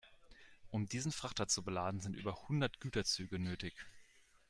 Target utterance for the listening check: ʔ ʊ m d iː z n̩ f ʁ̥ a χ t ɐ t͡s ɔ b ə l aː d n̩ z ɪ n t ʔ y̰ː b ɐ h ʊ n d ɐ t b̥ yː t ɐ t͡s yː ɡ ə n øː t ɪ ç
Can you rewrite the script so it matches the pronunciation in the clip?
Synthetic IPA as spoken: ʔ ʊ m d iː z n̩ f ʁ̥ a χ t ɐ t͡s u b ə l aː d n̩ z ɪ n t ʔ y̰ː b ɐ h ʊ n d ɐ t ɡ̥ yː t ɐ t͡s yː ɡ ə n øː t ɪ ç